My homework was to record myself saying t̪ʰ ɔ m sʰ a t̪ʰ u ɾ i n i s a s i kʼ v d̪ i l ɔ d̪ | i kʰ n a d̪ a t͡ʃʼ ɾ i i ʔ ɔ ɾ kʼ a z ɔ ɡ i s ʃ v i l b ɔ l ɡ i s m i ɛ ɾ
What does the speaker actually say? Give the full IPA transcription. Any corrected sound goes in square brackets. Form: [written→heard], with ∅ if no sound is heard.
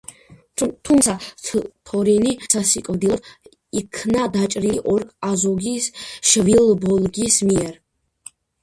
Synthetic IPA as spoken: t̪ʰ [ɔ→u] m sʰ a t̪ʰ [u→ɔ] ɾ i n i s a s i kʼ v d̪ i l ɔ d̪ | i kʰ n a d̪ a t͡ʃʼ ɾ i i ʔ ɔ ɾ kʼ a z ɔ ɡ i s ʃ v i l b ɔ l ɡ i s m i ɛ ɾ